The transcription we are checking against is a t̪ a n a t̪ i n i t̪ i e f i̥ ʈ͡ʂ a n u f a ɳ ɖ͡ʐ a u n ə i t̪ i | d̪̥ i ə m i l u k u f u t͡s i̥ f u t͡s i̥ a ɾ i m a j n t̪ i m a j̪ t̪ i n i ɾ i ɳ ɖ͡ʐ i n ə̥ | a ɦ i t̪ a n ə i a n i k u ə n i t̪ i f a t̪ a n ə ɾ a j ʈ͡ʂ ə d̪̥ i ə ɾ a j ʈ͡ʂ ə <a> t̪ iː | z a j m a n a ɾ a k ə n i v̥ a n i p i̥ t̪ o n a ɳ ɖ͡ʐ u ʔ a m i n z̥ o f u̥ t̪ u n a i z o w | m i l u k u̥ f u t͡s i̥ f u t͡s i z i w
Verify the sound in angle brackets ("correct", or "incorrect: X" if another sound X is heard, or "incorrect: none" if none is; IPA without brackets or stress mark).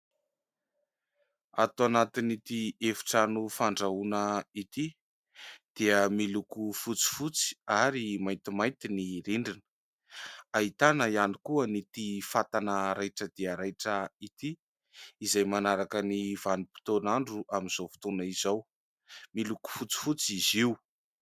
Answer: incorrect: i